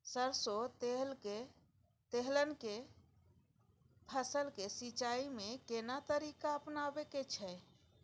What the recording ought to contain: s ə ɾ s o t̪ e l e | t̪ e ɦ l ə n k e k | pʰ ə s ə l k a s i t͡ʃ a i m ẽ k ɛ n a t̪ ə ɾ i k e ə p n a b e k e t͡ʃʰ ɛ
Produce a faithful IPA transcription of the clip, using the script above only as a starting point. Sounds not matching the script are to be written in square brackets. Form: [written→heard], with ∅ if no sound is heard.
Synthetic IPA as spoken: s ə ɾ s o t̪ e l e | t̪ e ɦ l ə n k e [k→∅] | pʰ ə s ə l k [a→e] s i t͡ʃ a i m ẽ k [ɛ→e] n a t̪ ə ɾ i k [e→a] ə p n a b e k e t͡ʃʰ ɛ